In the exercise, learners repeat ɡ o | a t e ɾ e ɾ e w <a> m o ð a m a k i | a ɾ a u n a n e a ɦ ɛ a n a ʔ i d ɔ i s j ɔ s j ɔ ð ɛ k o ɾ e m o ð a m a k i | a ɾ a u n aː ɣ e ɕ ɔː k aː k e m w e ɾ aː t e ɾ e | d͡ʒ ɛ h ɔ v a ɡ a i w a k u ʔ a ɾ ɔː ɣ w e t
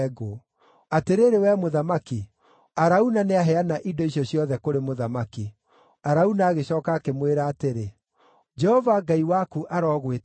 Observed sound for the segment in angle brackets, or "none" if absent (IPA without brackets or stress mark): ɛ